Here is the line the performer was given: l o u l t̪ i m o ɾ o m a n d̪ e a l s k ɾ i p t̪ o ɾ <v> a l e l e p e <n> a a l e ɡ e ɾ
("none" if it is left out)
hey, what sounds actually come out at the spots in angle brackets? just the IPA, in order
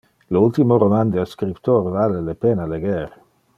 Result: v, n

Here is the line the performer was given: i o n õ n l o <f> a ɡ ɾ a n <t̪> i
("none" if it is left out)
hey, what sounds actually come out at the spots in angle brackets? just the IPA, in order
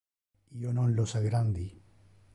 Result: s, d̪

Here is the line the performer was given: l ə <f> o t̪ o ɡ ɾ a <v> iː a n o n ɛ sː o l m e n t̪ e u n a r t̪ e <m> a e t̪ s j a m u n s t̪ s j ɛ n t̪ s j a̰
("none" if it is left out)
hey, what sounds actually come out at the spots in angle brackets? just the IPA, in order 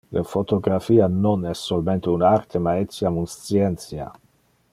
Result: f, f, m

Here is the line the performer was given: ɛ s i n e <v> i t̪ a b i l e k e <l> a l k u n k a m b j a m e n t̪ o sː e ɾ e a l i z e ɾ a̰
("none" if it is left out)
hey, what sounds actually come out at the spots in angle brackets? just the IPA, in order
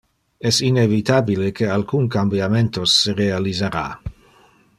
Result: v, none

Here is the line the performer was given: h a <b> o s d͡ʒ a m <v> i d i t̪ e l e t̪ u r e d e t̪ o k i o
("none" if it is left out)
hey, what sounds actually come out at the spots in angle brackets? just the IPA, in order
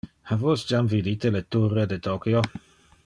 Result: v, v

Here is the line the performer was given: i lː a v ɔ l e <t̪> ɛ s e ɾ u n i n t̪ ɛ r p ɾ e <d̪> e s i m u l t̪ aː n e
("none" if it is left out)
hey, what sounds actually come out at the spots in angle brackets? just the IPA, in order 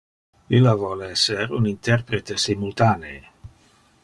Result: none, t̪

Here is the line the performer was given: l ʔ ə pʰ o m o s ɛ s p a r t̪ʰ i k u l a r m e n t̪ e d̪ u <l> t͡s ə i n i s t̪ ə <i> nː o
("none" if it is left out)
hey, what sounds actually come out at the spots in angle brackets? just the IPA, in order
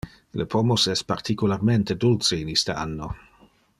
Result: l, a

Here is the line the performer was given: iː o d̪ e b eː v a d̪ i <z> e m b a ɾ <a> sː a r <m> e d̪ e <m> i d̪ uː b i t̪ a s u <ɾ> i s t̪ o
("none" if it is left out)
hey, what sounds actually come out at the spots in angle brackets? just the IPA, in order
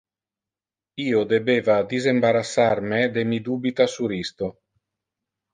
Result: z, a, m, m, ɾ

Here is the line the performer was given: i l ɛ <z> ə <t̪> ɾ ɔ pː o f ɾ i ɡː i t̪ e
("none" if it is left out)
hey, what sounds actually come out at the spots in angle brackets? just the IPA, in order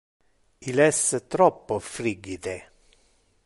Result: s, t̪

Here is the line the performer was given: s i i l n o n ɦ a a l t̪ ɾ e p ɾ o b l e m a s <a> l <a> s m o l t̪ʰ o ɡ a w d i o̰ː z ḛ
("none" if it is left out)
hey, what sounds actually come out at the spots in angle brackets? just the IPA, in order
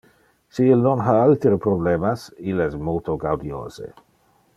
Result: i, ɛ

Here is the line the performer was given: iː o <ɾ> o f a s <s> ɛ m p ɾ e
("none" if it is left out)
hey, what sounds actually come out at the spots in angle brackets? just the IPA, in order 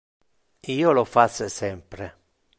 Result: l, s

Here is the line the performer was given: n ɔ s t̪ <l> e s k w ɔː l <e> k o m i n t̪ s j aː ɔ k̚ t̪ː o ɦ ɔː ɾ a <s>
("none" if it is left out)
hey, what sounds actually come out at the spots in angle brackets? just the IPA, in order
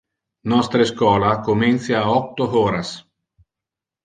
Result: ɾ, a, s

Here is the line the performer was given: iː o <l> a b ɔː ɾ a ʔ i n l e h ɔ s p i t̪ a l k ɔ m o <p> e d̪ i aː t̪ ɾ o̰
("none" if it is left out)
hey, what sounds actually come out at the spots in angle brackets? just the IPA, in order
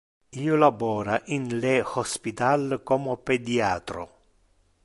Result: l, p

